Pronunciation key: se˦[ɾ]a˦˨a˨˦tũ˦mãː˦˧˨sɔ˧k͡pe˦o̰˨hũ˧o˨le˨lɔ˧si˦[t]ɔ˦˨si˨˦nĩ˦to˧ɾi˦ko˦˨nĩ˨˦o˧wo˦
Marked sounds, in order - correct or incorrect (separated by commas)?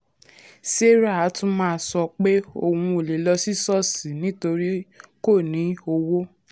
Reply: correct, incorrect